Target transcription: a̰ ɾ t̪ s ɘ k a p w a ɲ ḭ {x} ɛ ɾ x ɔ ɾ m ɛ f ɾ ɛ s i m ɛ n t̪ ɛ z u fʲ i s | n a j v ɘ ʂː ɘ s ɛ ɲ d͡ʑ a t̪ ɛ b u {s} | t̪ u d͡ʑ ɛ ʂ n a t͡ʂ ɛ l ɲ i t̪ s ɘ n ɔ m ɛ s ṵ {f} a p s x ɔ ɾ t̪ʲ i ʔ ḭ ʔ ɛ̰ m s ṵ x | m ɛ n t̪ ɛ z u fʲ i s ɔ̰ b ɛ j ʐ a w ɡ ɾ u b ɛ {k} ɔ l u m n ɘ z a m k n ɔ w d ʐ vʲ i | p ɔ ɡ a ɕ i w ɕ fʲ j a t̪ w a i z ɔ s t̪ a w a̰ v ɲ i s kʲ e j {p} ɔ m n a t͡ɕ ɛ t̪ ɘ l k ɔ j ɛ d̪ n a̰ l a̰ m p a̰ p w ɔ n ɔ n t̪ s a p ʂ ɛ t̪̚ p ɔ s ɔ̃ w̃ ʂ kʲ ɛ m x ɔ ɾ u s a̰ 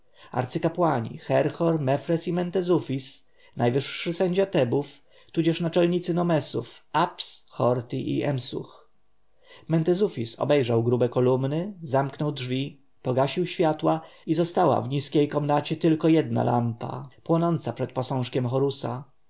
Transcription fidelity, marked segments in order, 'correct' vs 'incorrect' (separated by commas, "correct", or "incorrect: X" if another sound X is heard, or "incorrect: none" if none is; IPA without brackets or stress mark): correct, incorrect: f, correct, correct, incorrect: k